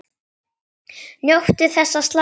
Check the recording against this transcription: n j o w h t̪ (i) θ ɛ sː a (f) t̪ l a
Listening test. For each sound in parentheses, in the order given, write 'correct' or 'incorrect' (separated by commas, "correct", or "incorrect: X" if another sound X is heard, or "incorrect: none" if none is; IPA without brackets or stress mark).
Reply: incorrect: ɪ, incorrect: s